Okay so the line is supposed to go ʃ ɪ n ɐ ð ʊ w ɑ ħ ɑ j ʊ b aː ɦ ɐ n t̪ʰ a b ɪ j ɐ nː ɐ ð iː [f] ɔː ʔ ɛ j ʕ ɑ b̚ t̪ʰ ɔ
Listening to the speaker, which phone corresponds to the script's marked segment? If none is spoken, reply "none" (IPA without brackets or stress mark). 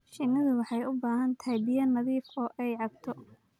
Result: f